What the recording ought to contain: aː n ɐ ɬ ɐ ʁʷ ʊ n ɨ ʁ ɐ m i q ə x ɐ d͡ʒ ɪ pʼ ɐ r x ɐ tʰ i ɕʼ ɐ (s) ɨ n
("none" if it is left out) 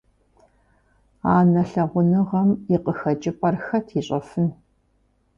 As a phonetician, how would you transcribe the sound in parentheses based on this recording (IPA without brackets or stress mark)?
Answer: f